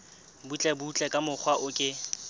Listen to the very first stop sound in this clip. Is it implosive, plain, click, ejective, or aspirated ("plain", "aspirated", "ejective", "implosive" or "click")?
plain